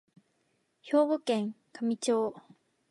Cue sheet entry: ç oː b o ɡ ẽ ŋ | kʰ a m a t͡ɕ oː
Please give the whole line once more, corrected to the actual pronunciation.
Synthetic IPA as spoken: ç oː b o k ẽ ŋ | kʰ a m i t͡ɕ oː

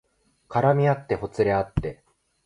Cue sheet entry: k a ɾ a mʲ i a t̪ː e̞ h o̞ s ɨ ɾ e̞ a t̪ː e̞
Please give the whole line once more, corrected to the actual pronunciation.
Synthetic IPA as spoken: k a ɾ a mʲ i a t̪ː e̞ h o̞ t͡s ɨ ɾ e̞ a t̪ː e̞

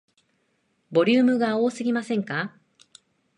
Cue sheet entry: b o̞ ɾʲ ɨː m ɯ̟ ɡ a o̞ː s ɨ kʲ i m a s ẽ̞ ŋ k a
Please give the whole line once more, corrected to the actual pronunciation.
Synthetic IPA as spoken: b o̞ ɾʲ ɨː m ɯ̟ ɡ a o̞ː s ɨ ɡʲ i m a s ẽ̞ ŋ k a

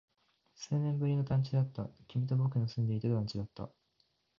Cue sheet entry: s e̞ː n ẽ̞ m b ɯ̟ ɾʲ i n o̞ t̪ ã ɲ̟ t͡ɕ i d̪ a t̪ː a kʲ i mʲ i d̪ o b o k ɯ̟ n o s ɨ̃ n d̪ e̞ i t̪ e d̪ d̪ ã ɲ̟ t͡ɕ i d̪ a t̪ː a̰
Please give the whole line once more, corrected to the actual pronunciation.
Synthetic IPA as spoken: s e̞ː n ẽ̞ m b ɯ̟ ɾʲ i n o̞ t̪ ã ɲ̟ t͡ɕ i d̪ a t̪ː a kʲ i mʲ i t̪ o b o k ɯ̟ n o s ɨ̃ n d̪ e̞ i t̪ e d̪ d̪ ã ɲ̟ t͡ɕ i d̪ a t̪ː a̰

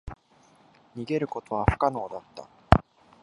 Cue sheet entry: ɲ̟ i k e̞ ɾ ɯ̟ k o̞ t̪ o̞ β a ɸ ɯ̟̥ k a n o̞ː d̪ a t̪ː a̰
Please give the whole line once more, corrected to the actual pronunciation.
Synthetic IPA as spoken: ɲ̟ i ɡ e̞ ɾ ɯ̟ k o̞ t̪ o̞ β a ɸ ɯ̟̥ k a n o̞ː d̪ a t̪ː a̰

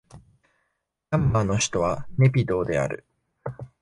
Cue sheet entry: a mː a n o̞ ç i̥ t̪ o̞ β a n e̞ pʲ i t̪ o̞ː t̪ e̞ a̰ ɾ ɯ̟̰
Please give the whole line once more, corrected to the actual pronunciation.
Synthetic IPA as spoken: a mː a n o̞ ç i̥ t̪ o̞ β a n e̞ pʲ i d̪ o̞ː d̪ e̞ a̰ ɾ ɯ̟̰

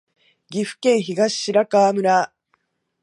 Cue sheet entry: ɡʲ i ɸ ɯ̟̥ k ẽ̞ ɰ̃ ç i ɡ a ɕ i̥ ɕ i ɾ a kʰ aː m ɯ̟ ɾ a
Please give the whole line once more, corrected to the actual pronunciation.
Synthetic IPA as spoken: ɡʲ i ɸ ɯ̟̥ k ẽ̞ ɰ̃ ç i ɡ a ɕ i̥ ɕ i ɾ a k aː m ɯ̟ ɾ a

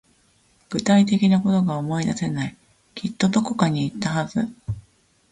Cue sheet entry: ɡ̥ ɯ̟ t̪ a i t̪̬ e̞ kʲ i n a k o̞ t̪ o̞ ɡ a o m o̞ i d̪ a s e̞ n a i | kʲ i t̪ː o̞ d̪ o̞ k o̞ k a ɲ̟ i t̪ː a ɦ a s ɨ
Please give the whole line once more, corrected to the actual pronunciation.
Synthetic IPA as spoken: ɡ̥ ɯ̟ t̪ a i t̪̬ e̞ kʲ i n a k o̞ t̪ o̞ ɡ a o m o̞ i d̪ a s e̞ n a i | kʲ i t̪ː o̞ d̪ o̞ k o̞ k a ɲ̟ iː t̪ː a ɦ a z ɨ

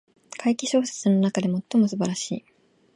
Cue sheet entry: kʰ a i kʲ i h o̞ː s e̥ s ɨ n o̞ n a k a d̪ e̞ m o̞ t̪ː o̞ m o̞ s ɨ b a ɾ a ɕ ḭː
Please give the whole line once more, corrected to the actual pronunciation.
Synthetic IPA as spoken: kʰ a i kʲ i ɕ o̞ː s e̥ t͡s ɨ n o̞ n a k a d̪ e̞ m o̞ t̪ː o̞ m o̞ s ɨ b a ɾ a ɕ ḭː

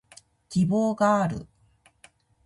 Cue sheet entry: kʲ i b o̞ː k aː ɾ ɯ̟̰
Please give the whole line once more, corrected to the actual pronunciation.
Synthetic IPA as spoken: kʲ i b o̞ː ɡ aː ɾ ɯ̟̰

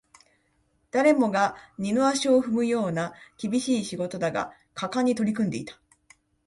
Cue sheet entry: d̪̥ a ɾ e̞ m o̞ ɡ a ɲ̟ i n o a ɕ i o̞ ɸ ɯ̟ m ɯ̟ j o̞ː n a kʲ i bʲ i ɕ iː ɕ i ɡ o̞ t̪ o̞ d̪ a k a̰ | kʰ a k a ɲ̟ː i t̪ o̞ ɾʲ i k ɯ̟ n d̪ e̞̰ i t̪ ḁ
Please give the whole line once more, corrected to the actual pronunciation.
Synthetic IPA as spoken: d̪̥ a ɾ e̞ m o̞ ɡ a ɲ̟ i n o a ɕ i o̞ ɸ ɯ̟ m ɯ̟ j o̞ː n a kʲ i bʲ i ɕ iː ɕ i ɡ o̞ t̪ o̞ d̪ a ɡ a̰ | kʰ a k a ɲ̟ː i t̪ o̞ ɾʲ i k ɯ̟ n d̪ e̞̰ i t̪ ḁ

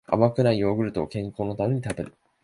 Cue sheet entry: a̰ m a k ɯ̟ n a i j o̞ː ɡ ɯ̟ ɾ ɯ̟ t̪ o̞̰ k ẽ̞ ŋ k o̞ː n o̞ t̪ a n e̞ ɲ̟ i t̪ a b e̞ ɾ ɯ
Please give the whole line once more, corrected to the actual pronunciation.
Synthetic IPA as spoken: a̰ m a k ɯ̟ n a i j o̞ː ɡ ɯ̟ ɾ ɯ̟ t̪ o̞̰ k ẽ̞ ŋ k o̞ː n o̞ t̪ a m e̞ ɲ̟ i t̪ a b e̞ ɾ ɯ

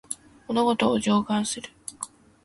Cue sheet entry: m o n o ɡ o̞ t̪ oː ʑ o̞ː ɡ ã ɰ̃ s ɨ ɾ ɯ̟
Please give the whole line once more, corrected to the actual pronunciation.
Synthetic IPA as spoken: m o n o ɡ o̞ t̪ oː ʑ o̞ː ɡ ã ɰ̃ s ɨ ɾ ɯ̟

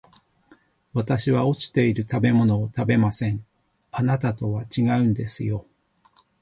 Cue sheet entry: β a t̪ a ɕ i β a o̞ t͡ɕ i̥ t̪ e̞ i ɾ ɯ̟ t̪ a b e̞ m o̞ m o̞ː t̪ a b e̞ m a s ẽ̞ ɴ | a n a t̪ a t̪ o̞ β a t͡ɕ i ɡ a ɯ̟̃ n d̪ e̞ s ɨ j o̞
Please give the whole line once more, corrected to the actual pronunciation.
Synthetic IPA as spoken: β a t̪ a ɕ i β a o̞ t͡ɕ i̥ t̪ e̞ i ɾ ɯ̟ t̪ a b e̞ m o̞ n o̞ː t̪ a b e̞ m a s ẽ̞ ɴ | a n a t̪ a t̪ o̞ β a t͡ɕ i ɡ a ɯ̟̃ n d̪ e̞ s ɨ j o̞

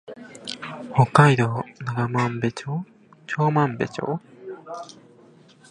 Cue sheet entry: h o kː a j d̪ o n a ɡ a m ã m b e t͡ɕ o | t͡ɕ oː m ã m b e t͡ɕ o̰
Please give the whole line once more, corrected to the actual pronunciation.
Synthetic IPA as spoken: h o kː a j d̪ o n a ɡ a m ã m b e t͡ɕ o | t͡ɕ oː m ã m b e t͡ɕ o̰

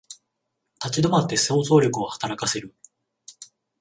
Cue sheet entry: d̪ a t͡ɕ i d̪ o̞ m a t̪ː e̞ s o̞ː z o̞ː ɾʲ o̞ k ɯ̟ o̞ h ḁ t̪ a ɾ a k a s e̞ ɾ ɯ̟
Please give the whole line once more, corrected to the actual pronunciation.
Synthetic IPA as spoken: t̪ a t͡ɕ i d̪ o̞ m a t̪ː e̞ s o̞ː z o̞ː ɾʲ o̞ k ɯ̟ o̞ h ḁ t̪ a ɾ a k a s e̞ ɾ ɯ̟

